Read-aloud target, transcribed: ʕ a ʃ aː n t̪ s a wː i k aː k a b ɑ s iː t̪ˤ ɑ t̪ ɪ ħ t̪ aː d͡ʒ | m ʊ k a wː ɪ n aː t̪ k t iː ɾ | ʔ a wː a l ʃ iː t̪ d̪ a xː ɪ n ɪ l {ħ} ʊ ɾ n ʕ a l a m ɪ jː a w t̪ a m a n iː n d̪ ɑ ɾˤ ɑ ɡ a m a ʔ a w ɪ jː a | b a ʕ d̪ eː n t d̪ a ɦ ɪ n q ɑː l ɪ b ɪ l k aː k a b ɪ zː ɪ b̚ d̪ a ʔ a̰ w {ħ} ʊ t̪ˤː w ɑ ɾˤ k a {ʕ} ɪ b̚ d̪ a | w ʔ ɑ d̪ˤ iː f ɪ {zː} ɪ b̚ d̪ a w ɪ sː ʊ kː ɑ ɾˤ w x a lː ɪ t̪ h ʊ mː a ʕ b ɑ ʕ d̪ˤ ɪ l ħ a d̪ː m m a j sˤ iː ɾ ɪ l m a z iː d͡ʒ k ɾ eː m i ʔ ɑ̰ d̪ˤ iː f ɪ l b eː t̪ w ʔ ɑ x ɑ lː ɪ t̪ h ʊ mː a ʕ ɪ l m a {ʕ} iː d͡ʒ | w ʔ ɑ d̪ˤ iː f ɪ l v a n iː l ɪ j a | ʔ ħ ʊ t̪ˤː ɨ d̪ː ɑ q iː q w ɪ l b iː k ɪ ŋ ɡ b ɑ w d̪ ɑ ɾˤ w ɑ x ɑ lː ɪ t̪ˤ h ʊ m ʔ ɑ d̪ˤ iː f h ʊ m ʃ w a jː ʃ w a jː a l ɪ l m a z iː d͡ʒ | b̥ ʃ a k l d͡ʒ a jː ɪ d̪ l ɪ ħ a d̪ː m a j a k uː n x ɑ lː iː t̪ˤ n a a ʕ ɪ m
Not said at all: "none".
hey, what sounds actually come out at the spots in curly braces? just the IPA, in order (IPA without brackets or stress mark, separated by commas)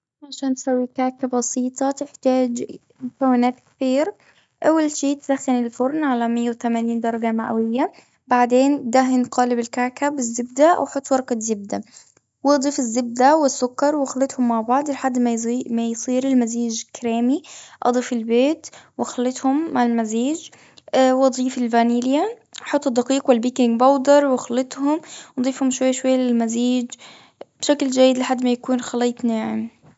f, ħ, z, zː, z